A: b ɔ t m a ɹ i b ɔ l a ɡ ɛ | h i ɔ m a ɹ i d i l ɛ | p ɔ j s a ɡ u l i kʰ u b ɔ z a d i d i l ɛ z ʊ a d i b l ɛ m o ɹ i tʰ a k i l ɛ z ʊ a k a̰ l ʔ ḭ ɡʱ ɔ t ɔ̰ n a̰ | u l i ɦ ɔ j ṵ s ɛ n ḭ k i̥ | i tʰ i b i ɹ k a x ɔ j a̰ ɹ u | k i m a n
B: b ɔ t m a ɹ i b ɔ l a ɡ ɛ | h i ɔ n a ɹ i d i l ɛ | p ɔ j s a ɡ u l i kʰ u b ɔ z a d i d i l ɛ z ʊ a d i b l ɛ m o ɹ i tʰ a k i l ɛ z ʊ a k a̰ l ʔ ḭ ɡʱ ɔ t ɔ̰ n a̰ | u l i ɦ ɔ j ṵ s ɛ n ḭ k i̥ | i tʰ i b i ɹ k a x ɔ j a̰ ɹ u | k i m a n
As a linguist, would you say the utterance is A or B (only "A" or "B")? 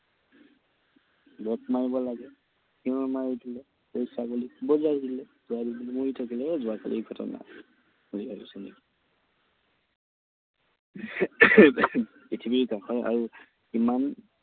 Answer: A